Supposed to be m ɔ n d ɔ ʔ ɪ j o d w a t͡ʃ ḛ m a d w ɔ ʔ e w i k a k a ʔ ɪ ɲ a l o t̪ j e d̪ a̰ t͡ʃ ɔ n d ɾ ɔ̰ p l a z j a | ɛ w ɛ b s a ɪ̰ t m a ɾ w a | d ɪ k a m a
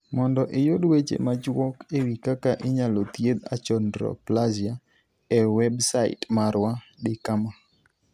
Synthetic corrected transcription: m ɔ n d ɔ ʔ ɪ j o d w e t͡ʃ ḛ m a d͡ʒ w ɔ k e w i k a k a ʔ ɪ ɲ a l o t̪ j e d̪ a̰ t͡ʃ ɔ n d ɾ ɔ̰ p l a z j a | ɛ w ɛ b s a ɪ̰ t m a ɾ w a | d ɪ k a m a

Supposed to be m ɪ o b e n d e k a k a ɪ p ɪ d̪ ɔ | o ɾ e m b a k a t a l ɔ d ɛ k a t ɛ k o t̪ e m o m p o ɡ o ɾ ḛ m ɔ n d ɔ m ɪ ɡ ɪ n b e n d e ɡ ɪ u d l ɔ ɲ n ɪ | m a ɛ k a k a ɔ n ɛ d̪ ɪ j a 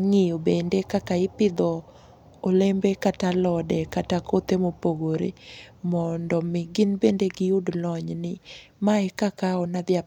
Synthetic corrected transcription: ŋ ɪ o b e n d e k a k a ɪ p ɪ d̪ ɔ | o l e m b e k a t a l ɔ d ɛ k a t a k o t̪ e m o p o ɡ o ɾ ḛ m ɔ n d ɔ m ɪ ɡ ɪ n b e n d e ɡ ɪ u d l ɔ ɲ n ɪ | m a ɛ k a k a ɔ n a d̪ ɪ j a

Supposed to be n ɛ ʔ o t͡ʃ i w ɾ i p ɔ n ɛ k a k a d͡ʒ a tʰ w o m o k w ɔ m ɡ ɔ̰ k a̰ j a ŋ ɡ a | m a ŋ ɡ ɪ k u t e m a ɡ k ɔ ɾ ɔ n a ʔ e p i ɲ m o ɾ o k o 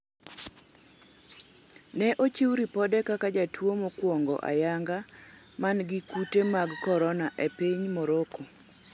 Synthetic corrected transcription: n ɛ ʔ o t͡ʃ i w ɾ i p ɔ d ɛ k a k a d͡ʒ a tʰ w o m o k w ɔ ŋ ɡ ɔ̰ ʔ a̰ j a ŋ ɡ a | m a n ɡ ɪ k u t e m a ɡ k ɔ ɾ ɔ n a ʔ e p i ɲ m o ɾ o k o

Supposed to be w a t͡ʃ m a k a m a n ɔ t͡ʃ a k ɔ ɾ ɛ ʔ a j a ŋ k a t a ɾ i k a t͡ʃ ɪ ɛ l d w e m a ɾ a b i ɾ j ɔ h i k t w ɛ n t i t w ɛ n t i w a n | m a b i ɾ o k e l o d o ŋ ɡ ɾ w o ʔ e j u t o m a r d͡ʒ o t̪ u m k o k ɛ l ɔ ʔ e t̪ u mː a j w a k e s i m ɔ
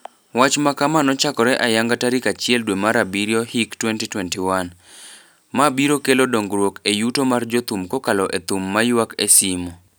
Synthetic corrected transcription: w a t͡ʃ m a k a m a n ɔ t͡ʃ a k ɔ ɾ ɛ ʔ a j a ŋ ɡ a t a ɾ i k a t͡ʃ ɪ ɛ l d w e m a ɾ a b i ɾ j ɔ h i k t w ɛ n t i t w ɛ n t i w a n | m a b i ɾ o k e l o d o ŋ ɡ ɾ w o k e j u t o m a r d͡ʒ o t̪ u m k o k a l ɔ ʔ e t̪ u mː a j w a k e s i m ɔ

